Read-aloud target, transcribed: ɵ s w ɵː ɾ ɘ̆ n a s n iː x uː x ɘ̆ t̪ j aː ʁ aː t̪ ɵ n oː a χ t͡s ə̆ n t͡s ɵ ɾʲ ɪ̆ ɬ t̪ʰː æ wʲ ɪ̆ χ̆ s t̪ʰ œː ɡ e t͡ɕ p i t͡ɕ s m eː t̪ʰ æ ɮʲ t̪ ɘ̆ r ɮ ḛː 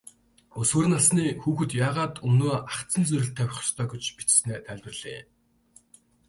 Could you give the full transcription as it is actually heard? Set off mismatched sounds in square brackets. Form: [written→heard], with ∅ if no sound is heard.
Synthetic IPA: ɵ s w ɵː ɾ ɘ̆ n a s n iː x uː x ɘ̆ t̪ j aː ʁ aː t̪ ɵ n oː a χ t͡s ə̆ n t͡s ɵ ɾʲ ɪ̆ ɬ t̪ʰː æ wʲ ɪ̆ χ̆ s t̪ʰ œː ɡ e t͡ɕ p i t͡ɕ s [m→n] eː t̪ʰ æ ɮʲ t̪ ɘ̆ r ɮ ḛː